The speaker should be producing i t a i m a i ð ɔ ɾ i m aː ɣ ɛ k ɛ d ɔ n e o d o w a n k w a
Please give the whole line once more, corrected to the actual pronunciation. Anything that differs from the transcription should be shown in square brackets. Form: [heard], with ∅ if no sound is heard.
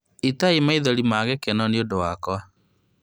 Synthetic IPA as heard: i t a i m a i ð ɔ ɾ i m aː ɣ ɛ k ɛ [n] ɔ n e o d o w a [∅] k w a